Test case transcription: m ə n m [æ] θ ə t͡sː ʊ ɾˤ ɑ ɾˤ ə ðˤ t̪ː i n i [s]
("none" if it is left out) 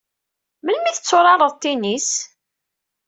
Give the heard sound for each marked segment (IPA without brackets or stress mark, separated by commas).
i, s